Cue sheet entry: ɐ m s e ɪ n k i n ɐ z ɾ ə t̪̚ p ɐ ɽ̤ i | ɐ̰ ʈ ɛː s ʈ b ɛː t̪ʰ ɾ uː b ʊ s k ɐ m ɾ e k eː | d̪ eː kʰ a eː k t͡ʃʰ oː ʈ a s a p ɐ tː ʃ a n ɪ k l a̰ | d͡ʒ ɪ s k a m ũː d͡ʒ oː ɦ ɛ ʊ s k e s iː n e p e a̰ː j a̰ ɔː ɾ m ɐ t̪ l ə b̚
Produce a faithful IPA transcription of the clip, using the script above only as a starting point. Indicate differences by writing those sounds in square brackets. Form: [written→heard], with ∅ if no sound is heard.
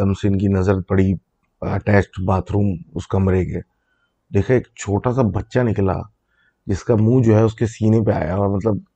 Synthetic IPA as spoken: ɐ m s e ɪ n k i n ɐ z ɾ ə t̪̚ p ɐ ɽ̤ i | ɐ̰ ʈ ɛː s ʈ b [ɛː→aː] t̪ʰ ɾ uː [b→m] ʊ s k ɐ m ɾ e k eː | d̪ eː kʰ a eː k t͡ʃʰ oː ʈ a s a [p→b] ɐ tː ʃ a n ɪ k l a̰ | d͡ʒ ɪ s k a m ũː d͡ʒ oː ɦ ɛ ʊ s k e s iː n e p e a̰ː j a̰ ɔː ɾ m ɐ t̪ l ə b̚